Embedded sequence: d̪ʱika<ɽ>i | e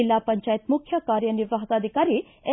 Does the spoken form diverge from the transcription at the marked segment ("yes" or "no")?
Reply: yes